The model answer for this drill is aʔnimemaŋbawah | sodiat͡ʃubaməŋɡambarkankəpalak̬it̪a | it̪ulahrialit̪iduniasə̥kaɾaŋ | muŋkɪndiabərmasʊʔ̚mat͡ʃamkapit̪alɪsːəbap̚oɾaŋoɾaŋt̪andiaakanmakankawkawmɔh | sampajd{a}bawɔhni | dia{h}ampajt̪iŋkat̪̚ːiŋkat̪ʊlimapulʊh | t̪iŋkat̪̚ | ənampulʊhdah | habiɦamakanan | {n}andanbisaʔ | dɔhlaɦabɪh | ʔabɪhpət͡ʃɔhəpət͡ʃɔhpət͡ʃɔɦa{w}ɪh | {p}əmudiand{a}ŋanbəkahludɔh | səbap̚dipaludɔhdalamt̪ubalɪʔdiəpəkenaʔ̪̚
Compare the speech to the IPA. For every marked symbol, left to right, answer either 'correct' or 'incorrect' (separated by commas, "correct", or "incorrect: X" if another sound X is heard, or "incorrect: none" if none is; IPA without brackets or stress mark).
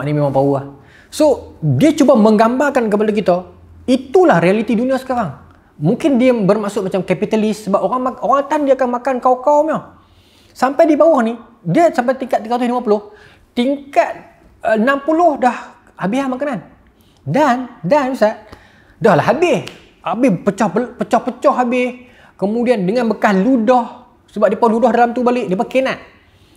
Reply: incorrect: i, incorrect: s, incorrect: d, incorrect: b, incorrect: k, incorrect: ə